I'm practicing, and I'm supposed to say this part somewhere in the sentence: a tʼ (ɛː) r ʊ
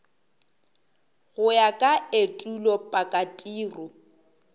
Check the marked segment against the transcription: incorrect: iː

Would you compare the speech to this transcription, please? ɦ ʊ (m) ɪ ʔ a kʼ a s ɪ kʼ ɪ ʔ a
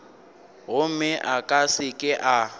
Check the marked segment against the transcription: correct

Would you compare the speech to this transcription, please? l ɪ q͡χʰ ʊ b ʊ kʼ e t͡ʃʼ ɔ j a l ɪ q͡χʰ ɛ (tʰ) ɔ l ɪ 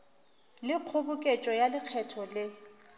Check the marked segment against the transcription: correct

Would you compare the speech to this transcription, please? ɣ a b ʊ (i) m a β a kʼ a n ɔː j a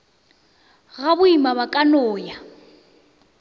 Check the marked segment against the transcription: correct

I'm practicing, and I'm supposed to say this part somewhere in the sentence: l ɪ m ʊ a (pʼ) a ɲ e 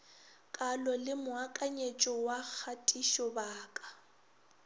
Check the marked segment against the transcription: incorrect: kʼ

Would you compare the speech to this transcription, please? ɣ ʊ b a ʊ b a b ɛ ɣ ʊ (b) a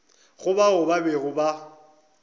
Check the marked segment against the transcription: correct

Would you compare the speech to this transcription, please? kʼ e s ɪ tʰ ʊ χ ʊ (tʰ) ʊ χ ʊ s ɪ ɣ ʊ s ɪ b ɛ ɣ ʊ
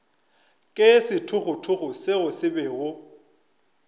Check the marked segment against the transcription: correct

